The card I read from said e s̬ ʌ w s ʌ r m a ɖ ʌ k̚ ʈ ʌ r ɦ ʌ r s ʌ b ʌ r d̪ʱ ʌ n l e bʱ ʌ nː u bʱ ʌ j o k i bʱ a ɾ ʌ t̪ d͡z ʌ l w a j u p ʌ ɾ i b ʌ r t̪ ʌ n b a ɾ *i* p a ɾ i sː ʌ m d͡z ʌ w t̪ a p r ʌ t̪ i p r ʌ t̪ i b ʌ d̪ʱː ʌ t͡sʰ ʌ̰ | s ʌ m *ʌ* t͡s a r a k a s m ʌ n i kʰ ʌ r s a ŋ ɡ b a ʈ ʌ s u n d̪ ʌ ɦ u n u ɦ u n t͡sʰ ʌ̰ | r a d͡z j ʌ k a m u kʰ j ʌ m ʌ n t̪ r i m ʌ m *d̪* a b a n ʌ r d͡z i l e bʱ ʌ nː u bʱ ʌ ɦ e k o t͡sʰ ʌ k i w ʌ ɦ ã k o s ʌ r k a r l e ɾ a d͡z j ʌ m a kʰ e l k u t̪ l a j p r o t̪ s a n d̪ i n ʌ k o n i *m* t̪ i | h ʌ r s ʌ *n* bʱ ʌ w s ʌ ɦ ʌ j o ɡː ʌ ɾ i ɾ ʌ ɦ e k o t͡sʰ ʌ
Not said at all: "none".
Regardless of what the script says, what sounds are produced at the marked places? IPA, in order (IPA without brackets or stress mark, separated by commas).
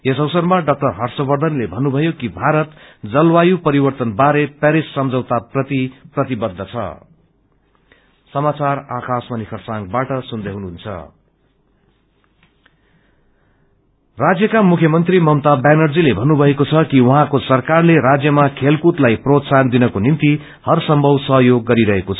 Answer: e, a, t̪, n, m